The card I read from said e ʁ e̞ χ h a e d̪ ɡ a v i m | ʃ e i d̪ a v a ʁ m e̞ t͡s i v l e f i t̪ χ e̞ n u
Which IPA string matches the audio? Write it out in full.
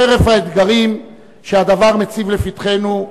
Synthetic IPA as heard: e ʁ e̞ f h a e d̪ ɡ a ʁ i m | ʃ e a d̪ a v a ʁ m e̞ t͡s i v l e f i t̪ χ e̞ n u